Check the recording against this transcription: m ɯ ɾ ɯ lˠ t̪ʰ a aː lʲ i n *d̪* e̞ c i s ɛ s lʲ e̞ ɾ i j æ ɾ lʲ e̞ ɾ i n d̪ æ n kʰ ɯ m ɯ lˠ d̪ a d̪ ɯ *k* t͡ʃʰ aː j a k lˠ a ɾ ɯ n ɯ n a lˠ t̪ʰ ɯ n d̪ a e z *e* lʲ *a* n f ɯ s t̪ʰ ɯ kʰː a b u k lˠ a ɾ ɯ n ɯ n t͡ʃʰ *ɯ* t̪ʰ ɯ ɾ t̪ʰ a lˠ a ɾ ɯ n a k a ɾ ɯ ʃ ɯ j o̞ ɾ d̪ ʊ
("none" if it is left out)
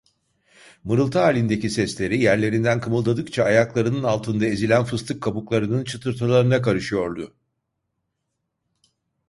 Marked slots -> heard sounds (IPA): d̪, k, i, æ, ɯ

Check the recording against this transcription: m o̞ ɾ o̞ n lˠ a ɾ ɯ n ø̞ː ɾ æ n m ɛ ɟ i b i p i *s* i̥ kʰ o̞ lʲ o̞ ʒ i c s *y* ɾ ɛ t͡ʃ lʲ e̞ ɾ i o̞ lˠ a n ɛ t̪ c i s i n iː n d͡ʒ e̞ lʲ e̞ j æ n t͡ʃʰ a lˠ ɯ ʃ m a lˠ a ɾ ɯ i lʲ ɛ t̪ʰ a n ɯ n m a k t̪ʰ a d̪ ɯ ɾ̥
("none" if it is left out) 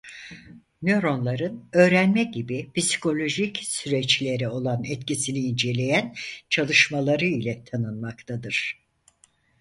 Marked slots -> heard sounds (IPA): s, y

